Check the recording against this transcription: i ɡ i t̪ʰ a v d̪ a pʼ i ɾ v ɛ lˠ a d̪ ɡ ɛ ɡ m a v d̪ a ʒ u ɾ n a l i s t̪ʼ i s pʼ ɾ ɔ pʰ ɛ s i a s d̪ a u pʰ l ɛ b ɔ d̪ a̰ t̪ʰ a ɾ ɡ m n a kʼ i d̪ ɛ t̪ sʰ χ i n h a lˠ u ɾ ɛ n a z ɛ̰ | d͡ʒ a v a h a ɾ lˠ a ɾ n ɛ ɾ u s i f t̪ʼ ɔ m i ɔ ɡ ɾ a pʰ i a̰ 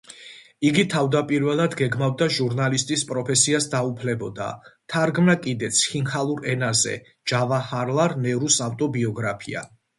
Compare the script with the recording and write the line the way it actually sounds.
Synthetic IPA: i ɡ i t̪ʰ a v d̪ a pʼ i ɾ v ɛ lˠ a d̪ ɡ ɛ ɡ m a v d̪ a ʒ u ɾ n a l i s t̪ʼ i s pʼ ɾ ɔ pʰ ɛ s i a s d̪ a u pʰ l ɛ b ɔ d̪ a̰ t̪ʰ a ɾ ɡ m n a kʼ i d̪ ɛ t̪ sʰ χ i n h a lˠ u ɾ ɛ n a z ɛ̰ | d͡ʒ a v a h a ɾ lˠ a ɾ n ɛ ɾ u s a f t̪ʼ ɔ b i ɔ ɡ ɾ a pʰ i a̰